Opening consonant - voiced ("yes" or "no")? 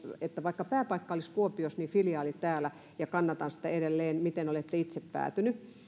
no